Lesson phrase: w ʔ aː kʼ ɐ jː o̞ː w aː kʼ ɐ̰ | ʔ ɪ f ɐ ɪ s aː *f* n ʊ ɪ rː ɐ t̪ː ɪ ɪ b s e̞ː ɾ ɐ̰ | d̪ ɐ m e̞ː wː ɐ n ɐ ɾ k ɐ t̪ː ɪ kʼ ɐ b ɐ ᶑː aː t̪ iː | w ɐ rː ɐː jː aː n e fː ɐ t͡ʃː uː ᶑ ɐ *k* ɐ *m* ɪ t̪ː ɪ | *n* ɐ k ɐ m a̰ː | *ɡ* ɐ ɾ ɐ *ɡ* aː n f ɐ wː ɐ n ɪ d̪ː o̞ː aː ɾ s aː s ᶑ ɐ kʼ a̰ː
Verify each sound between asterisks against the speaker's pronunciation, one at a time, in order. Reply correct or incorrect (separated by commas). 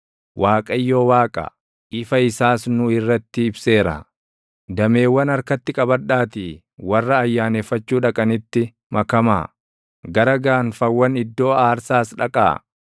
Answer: incorrect, incorrect, incorrect, incorrect, correct, correct